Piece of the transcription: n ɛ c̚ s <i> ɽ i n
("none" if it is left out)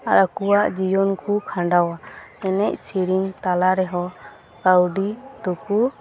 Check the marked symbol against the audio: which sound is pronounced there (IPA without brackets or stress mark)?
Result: i